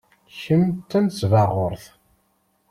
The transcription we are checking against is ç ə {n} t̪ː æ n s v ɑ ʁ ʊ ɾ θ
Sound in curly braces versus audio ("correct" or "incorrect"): incorrect